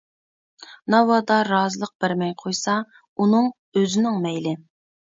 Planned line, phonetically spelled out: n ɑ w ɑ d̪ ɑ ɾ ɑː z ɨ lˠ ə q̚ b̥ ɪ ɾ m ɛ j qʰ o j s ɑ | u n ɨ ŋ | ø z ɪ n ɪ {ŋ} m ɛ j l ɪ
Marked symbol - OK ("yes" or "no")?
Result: yes